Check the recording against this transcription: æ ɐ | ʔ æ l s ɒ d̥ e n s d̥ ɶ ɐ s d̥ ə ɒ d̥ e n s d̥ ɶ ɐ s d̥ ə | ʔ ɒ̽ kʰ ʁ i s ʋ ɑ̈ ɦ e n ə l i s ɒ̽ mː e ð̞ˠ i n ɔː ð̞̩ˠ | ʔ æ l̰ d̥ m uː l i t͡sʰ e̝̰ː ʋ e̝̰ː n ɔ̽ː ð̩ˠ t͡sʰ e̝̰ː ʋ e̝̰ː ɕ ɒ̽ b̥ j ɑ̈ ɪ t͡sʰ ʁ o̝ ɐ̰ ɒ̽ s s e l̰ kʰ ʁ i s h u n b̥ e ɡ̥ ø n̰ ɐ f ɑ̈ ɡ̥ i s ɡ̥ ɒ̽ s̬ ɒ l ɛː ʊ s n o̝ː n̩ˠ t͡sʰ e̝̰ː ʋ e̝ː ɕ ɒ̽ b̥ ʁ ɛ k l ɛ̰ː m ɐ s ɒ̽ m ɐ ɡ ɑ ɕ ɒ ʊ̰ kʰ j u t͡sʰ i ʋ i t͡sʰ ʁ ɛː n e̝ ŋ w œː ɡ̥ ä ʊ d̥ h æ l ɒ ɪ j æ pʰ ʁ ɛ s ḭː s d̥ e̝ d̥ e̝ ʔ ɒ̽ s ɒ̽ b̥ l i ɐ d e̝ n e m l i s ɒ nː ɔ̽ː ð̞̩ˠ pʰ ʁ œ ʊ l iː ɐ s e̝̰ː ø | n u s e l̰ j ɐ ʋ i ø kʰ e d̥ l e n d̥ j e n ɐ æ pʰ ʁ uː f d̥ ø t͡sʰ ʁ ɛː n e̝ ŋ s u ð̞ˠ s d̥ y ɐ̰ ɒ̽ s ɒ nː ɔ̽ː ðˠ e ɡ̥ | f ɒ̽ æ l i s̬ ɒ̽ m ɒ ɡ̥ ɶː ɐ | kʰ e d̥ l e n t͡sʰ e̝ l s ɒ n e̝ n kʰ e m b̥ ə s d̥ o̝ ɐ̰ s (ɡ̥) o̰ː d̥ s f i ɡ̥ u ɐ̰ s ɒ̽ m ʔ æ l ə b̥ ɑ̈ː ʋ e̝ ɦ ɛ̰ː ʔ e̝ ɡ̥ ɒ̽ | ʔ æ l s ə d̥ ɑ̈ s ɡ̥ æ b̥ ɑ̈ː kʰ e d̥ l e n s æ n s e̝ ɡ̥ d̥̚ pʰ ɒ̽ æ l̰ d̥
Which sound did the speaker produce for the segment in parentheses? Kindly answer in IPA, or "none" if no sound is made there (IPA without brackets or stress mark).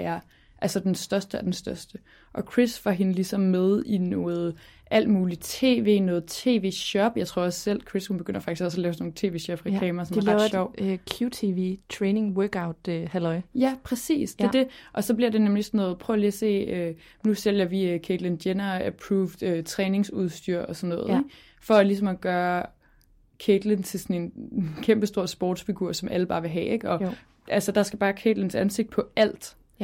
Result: b̥